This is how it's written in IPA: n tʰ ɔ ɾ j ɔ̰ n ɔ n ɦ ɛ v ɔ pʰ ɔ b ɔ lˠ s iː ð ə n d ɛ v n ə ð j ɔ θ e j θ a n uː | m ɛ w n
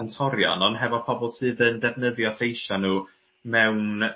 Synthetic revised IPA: n tʰ ɔ ɾ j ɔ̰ n ɔ n ɦ ɛ v ɔ pʰ ɔ b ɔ lˠ s ɨː ð ə n d ɛ v n ə ð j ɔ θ e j ʃ a n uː | m ɛ w n